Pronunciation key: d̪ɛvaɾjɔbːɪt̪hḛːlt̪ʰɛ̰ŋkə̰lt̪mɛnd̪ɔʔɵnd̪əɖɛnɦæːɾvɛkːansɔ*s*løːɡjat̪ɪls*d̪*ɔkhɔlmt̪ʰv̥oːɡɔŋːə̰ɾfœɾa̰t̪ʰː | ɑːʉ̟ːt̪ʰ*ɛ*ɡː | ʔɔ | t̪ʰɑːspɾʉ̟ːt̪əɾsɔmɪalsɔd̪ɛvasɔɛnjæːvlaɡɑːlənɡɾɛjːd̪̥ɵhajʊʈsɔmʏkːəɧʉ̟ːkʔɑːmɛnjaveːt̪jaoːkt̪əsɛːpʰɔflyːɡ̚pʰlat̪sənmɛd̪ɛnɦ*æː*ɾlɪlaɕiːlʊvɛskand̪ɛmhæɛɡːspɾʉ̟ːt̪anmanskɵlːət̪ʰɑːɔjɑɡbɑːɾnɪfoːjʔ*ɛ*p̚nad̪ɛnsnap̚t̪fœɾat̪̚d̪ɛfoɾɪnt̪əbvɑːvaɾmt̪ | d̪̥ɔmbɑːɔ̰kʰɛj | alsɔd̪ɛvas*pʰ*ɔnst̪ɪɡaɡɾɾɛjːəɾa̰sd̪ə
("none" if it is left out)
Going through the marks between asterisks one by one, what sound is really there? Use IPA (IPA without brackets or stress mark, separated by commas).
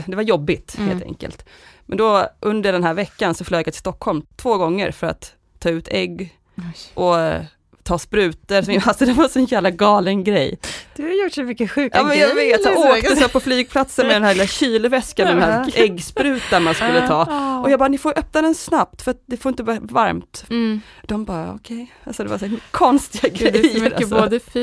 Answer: f, t̪, ɛ, æ, œ, kʰ